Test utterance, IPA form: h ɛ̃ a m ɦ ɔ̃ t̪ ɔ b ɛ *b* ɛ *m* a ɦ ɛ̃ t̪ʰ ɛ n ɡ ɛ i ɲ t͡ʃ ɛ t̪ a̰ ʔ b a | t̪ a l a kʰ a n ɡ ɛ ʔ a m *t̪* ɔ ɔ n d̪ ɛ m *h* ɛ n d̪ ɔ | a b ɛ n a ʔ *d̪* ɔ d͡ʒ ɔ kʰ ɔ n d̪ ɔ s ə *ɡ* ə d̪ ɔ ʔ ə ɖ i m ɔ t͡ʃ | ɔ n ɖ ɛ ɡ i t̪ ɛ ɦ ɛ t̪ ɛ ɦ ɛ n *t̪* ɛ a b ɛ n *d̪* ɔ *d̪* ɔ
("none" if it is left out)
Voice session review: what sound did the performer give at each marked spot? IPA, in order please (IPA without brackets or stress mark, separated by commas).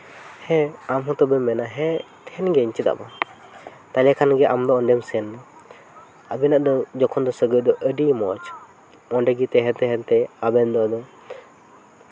m, n, d̪, s, d̪, ɡ, t̪, d̪, d̪